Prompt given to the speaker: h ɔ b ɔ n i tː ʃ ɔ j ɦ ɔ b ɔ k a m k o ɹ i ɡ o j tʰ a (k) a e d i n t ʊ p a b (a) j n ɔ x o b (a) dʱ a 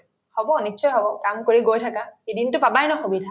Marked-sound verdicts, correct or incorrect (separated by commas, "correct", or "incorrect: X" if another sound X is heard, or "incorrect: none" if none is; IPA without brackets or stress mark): correct, correct, incorrect: i